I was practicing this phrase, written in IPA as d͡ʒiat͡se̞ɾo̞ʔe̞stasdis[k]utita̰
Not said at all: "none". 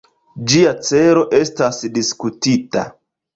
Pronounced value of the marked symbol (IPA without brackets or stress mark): k